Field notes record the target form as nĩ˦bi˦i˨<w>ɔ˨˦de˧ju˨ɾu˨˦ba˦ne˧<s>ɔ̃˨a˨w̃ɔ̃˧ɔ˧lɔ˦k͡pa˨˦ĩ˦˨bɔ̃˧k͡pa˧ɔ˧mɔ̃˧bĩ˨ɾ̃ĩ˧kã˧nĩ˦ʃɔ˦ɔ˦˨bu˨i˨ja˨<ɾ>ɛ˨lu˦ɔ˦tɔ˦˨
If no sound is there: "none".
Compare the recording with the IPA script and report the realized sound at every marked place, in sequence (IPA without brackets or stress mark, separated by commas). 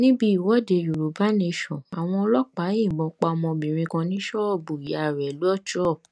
w, ʃ, ɾ